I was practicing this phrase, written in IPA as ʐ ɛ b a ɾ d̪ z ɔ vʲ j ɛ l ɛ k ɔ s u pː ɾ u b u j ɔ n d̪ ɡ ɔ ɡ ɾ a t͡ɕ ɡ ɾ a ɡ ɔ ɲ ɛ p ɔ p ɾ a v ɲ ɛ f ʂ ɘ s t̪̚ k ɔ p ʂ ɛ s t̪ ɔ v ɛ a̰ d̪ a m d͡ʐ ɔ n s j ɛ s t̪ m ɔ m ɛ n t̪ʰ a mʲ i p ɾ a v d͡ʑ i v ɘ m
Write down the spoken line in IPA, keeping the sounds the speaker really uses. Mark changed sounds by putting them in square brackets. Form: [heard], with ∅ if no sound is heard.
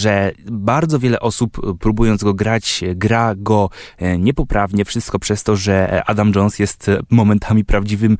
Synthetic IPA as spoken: ʐ ɛ b a ɾ d̪ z ɔ vʲ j ɛ l ɛ [ʔ] ɔ s u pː ɾ u b u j ɔ n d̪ ɡ ɔ ɡ ɾ a t͡ɕ ɡ ɾ a ɡ ɔ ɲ ɛ p ɔ p ɾ a v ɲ ɛ f ʂ ɘ s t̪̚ k ɔ p ʂ ɛ s t̪ ɔ [ʐ] ɛ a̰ d̪ a m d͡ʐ ɔ n s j ɛ s t̪ m ɔ m ɛ n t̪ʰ a mʲ i p ɾ a v d͡ʑ i v ɘ m